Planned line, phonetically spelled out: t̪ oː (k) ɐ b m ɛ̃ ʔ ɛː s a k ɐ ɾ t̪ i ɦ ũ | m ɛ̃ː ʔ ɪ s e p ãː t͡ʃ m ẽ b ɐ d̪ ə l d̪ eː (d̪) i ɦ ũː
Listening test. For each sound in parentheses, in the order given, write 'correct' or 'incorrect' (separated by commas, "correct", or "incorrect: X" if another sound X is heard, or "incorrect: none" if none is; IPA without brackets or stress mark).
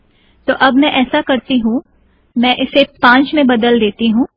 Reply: incorrect: ʔ, incorrect: t̪